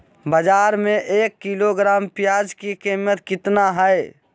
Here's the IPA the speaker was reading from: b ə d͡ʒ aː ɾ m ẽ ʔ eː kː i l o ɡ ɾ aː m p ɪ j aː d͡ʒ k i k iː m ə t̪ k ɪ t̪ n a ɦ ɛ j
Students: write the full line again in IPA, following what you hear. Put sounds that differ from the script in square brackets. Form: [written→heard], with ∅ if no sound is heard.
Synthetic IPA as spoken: b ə d͡ʒ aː ɾ m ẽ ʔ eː kː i l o ɡ ɾ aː m p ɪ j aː d͡ʒ k i k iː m ə t̪ k ɪ t̪ n a ɦ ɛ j